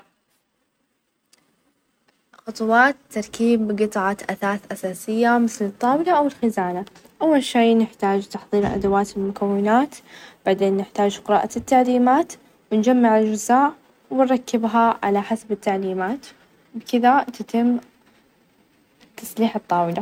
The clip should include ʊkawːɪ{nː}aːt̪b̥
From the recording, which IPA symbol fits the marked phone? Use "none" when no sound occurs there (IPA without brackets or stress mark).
n